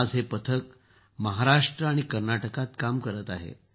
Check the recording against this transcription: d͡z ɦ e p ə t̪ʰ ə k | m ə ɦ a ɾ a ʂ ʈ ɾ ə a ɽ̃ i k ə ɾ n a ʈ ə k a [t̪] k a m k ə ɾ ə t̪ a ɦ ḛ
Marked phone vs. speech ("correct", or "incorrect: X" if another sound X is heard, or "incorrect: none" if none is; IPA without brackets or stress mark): correct